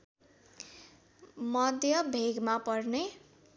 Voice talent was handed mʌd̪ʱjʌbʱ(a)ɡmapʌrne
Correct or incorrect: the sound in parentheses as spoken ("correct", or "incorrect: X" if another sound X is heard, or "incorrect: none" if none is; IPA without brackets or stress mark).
incorrect: e